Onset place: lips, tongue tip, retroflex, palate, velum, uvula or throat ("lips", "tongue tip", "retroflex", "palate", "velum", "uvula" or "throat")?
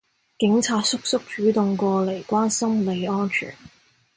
velum